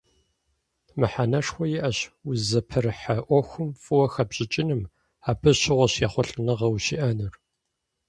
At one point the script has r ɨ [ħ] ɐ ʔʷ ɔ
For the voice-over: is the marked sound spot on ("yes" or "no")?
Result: yes